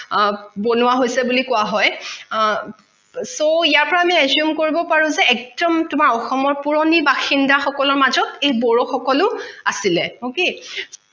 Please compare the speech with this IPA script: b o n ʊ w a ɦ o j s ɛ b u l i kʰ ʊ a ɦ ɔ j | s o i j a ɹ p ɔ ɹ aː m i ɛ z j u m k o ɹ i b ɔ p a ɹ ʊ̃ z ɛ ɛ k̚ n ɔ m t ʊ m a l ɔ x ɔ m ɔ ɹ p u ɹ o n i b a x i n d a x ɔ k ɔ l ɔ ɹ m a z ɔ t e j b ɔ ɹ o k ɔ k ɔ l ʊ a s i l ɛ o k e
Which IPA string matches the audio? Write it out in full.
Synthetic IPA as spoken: b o n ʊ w a ɦ o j s ɛ b u l i k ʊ a ɦ ɔ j | s o i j a ɹ p ɔ ɹ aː m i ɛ z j u m k o ɹ i b ɔ p a ɹ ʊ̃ z ɛ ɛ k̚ d ɔ m t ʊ m a ɹ ɔ x ɔ m ɔ ɹ p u ɹ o n i b a x i n d a x ɔ k ɔ l ɔ ɹ m a z ɔ t e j b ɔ ɹ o x ɔ k ɔ l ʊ a s i l ɛ o k e